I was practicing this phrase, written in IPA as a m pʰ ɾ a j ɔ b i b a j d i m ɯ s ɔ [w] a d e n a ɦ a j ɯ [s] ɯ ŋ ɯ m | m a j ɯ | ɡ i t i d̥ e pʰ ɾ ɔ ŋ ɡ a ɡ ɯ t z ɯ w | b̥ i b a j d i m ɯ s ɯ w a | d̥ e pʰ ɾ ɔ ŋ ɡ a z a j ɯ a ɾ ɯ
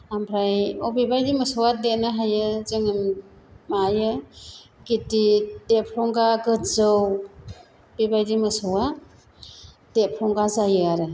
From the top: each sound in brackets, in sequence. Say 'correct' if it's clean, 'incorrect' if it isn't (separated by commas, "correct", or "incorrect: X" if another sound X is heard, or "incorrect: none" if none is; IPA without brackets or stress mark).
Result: correct, incorrect: z